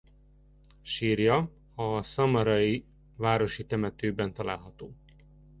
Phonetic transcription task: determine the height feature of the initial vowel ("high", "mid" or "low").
high